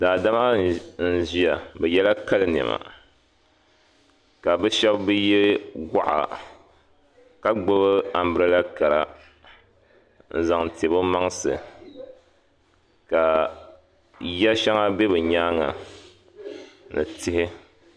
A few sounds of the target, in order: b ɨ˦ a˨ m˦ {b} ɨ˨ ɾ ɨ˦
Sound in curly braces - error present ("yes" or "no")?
no